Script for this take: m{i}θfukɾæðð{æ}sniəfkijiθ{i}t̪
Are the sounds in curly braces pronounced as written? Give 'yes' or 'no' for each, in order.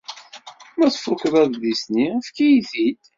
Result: no, no, yes

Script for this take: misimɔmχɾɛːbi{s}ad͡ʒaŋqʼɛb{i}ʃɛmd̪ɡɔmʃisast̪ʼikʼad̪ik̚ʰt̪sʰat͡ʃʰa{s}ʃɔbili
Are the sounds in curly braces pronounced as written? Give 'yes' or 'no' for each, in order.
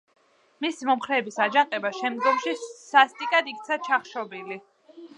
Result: yes, no, no

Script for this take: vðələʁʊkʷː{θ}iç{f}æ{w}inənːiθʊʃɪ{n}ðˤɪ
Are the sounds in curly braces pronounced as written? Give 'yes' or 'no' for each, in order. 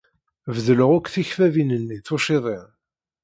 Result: yes, yes, no, no

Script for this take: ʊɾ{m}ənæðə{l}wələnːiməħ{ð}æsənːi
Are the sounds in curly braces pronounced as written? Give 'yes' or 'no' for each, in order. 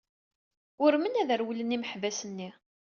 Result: yes, no, no

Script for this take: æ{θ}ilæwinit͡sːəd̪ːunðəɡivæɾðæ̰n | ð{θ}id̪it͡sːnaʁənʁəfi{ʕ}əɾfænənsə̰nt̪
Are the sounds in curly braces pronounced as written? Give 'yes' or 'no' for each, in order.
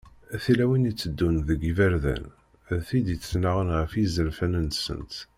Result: yes, yes, no

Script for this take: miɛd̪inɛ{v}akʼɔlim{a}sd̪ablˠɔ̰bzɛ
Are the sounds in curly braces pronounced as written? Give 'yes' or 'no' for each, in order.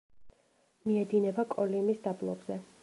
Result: no, no

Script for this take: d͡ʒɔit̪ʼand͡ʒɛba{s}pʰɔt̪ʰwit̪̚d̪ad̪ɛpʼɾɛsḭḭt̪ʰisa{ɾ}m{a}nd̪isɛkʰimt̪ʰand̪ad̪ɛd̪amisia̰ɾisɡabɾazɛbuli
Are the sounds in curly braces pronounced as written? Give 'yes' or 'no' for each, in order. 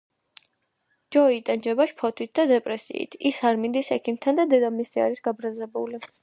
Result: no, yes, no

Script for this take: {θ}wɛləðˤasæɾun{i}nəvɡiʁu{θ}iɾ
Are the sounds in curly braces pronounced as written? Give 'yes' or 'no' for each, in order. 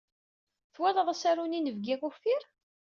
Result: yes, yes, no

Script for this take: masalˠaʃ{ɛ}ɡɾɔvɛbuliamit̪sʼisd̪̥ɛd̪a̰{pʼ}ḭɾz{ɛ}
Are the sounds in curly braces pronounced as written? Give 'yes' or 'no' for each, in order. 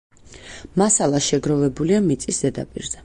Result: yes, yes, yes

